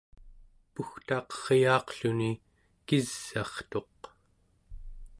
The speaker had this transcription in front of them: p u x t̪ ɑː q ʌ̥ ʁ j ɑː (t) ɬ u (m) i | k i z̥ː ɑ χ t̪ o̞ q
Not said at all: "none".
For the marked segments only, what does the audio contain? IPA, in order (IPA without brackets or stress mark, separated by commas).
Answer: q, n